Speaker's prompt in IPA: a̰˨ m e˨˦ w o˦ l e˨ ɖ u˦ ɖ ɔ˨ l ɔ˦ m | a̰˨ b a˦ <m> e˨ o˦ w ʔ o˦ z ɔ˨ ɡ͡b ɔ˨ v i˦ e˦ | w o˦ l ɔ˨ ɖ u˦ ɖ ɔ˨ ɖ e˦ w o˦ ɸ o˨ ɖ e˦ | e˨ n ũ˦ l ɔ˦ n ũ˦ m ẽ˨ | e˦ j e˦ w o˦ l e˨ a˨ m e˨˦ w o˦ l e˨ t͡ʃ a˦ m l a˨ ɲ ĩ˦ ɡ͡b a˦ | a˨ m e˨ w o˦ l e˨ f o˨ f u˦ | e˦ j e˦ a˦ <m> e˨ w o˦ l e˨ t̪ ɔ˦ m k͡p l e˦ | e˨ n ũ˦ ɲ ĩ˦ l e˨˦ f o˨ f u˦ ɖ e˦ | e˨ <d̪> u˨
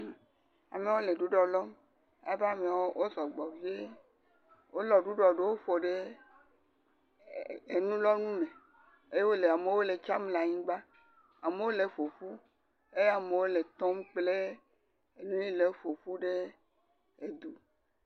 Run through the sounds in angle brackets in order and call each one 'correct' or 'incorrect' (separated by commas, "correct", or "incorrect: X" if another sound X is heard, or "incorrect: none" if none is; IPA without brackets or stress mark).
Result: correct, correct, correct